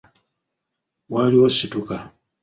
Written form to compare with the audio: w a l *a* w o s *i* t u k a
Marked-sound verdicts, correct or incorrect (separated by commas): incorrect, correct